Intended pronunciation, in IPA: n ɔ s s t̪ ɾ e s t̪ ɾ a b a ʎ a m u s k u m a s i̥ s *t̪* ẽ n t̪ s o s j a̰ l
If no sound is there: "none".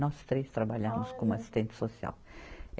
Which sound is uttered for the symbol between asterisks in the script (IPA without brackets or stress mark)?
t̪